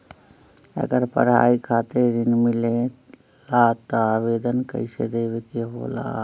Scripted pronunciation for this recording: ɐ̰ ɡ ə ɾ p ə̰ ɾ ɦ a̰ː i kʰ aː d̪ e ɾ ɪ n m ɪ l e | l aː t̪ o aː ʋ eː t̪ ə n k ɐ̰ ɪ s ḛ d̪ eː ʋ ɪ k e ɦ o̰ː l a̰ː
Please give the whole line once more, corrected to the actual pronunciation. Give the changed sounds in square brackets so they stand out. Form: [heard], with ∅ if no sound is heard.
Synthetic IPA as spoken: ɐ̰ ɡ ə ɾ p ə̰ ɾ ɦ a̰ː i kʰ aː [t̪] e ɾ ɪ n m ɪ l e | l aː t̪ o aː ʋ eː [d̪] ə n k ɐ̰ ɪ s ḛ d̪ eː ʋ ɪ k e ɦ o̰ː l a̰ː